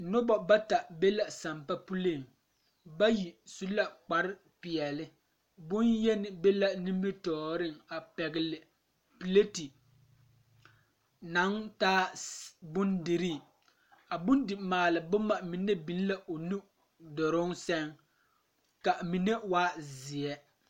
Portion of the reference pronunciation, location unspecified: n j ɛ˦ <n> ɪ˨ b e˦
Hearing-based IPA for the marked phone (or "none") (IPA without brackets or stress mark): n